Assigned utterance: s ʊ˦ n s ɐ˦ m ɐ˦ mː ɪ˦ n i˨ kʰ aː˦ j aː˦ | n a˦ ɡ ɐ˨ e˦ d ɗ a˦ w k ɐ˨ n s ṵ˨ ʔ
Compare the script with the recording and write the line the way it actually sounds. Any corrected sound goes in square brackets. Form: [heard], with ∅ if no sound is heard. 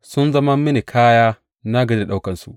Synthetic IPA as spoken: s ʊ˦ n [z] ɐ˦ m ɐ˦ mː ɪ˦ n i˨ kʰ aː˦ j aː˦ | n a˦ ɡ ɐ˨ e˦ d ɗ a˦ w k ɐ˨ n s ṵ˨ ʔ